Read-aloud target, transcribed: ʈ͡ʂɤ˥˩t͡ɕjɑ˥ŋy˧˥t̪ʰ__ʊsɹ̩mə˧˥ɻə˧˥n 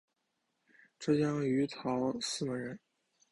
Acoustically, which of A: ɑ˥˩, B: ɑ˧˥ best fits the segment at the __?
B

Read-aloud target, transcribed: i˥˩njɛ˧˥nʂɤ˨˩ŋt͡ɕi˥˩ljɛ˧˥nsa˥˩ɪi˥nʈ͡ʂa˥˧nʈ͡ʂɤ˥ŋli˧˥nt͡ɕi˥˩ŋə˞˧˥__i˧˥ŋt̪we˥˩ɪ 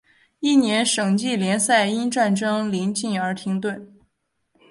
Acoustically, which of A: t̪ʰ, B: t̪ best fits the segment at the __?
A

